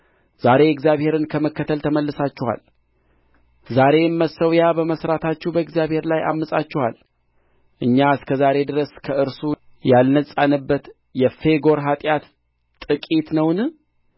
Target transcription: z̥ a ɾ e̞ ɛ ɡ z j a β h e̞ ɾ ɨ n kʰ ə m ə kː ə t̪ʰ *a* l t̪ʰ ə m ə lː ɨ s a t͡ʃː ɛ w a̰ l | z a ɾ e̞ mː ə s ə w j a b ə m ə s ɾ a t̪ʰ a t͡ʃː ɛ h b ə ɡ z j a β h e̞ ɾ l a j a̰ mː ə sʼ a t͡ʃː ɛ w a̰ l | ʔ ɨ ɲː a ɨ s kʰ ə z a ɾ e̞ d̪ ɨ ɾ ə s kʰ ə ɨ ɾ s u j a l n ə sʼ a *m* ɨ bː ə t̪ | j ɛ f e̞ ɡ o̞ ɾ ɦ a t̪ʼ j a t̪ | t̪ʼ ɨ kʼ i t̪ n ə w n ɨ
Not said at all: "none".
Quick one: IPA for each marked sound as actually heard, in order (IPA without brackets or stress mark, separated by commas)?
ə, n